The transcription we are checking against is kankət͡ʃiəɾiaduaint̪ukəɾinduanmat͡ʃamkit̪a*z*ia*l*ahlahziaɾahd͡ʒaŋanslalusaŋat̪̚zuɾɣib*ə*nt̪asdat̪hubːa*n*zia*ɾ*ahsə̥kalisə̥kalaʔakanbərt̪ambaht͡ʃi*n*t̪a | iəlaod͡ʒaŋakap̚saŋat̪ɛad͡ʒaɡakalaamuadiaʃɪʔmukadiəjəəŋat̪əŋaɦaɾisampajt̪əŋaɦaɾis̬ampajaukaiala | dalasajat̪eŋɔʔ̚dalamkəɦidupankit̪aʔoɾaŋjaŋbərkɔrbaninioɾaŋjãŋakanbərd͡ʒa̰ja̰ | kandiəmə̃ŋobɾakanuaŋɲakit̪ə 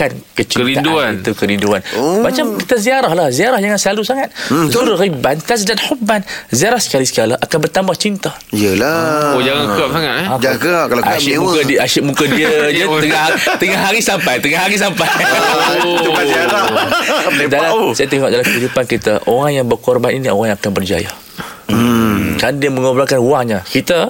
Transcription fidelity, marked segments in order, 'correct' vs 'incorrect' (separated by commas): correct, incorrect, incorrect, correct, correct, correct